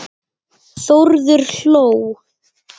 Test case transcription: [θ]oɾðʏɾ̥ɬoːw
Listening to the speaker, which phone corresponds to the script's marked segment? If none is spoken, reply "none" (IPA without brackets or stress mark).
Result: θ